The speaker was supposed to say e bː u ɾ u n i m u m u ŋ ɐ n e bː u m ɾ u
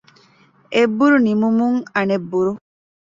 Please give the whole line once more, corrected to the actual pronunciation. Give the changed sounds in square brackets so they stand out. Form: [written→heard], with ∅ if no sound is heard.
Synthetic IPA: e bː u ɾ u n i m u m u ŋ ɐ n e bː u [m→∅] ɾ u